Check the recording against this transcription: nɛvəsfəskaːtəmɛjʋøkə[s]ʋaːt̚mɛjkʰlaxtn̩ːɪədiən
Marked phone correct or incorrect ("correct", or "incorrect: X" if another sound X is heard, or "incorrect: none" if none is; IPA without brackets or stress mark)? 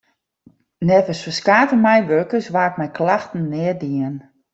correct